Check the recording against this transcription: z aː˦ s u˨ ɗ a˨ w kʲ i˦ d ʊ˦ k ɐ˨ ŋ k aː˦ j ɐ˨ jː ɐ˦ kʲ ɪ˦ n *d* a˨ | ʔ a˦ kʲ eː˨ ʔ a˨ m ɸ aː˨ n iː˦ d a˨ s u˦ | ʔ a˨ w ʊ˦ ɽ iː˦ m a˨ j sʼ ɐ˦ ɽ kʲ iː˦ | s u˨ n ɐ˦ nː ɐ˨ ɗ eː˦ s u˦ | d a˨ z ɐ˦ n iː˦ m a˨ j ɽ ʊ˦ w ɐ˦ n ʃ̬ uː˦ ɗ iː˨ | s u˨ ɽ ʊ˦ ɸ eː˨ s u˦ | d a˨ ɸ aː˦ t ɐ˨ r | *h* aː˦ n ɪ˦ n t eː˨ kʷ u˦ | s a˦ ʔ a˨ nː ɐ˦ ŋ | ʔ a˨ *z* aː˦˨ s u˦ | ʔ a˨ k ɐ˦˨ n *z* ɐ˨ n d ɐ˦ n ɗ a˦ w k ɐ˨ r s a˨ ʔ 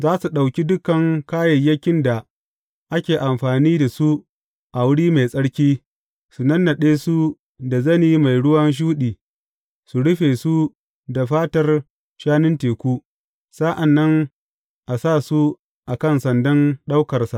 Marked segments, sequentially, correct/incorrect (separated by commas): correct, incorrect, incorrect, incorrect